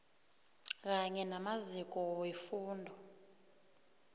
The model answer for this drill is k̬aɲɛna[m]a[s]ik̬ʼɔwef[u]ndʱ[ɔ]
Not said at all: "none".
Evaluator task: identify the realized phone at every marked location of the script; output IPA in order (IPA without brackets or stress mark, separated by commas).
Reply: m, z, uː, ɔ